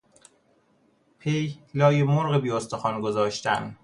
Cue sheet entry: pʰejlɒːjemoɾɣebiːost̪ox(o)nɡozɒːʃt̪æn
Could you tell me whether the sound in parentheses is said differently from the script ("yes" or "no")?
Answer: yes